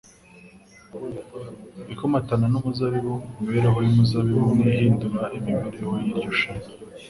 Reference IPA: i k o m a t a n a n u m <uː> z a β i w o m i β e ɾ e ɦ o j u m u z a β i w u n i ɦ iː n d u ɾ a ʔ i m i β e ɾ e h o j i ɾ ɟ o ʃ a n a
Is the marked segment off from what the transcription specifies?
yes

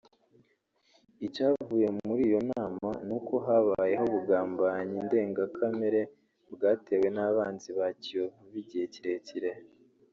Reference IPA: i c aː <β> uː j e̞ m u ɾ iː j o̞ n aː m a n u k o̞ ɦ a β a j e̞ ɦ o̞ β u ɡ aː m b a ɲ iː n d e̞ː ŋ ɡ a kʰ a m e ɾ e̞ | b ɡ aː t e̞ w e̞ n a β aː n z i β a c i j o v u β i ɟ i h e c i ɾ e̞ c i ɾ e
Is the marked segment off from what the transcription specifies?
yes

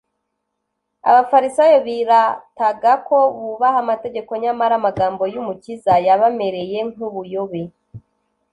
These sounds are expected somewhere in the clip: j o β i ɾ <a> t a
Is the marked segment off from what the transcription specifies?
no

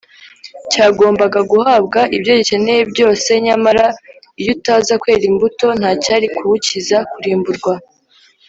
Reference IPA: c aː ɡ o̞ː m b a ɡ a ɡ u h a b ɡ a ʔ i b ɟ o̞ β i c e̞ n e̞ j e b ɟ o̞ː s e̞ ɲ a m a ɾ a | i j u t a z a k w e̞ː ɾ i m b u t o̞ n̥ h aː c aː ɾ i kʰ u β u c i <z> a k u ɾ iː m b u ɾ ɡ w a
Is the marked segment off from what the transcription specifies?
no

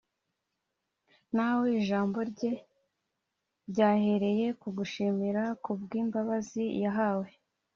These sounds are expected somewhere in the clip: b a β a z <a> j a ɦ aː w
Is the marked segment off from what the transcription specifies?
yes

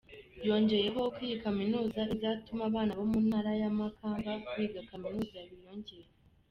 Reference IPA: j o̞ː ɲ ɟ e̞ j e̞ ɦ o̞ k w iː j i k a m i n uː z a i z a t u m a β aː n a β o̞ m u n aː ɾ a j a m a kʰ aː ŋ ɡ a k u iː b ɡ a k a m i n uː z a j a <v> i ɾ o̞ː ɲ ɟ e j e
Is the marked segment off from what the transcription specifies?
yes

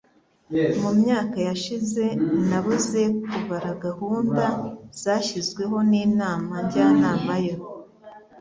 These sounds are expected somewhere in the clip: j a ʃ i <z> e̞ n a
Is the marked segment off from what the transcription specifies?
no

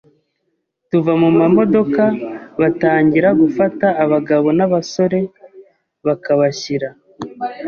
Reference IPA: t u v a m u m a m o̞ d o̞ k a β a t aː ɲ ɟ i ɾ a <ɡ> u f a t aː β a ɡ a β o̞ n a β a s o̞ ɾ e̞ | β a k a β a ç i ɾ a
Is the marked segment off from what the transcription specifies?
no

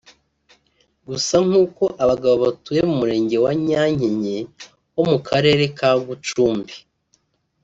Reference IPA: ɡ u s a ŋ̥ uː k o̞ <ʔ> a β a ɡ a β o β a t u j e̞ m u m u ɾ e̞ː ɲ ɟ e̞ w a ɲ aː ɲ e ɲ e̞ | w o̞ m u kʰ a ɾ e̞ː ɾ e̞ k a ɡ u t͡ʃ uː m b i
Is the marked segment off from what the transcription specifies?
no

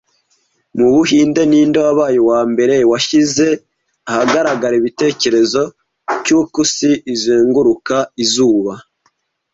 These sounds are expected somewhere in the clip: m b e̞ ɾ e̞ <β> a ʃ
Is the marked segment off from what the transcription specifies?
yes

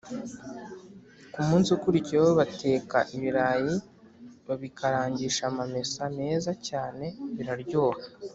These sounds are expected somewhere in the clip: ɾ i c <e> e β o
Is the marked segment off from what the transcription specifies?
yes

